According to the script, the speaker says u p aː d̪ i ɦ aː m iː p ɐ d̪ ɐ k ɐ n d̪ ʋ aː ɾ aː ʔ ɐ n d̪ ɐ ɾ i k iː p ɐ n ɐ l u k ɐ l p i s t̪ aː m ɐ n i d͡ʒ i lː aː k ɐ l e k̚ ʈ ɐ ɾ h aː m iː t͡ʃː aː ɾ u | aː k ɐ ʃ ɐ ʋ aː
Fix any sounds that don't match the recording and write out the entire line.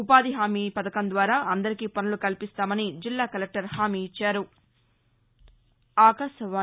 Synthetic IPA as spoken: u p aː d̪ i ɦ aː m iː p ɐ d̪ ɐ k ɐ n d̪ ʋ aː ɾ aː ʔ ɐ n d̪ ɐ ɾ i k iː p ɐ n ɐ l u k ɐ l p i s t̪ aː m ɐ n i d͡ʒ i lː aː k ɐ l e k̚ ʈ ɐ ɾ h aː m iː t͡ʃː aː ɾ u | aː k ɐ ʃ ɐ ʋ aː